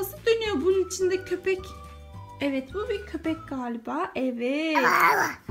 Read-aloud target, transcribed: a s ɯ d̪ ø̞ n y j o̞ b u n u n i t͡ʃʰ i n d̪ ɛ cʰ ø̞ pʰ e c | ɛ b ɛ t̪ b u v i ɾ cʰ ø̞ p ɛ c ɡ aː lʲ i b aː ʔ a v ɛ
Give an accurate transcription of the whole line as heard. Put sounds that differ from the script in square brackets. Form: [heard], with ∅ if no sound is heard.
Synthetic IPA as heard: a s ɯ d̪ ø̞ n y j o̞ b u n u n i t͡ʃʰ i n d̪ ɛ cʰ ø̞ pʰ [ɛ] c | ɛ [v] ɛ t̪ b u [b] i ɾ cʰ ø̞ p ɛ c ɡ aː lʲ i b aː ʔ [ɛ] v ɛ